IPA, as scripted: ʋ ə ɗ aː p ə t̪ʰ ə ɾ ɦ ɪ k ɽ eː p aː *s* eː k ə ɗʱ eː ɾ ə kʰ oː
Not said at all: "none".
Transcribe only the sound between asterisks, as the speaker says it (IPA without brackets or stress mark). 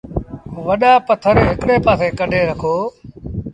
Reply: s